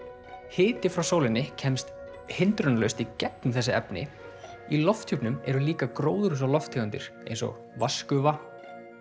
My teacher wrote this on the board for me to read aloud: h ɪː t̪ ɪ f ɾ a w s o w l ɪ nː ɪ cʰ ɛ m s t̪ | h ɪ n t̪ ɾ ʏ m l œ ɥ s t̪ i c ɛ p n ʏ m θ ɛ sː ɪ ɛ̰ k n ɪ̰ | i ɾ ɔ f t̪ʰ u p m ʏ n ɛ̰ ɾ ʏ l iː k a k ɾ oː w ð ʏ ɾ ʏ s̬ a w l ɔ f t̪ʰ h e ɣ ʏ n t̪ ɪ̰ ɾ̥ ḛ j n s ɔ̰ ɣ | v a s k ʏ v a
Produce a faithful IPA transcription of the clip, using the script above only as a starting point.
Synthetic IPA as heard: h ɪː t̪ ɪ f ɾ a w s o w l ɪ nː ɪ cʰ ɛ m s t̪ | h ɪ n t̪ ɾ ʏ n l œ ɥ s t̪ i c ɛ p n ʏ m θ ɛ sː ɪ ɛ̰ p n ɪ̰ | i l ɔ f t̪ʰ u p n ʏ m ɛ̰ ɾ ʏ l iː k a k ɾ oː w ð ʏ ɾ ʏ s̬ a w l ɔ f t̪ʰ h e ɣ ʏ n t̪ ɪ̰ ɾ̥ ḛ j n s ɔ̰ ɣ | v a s k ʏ v a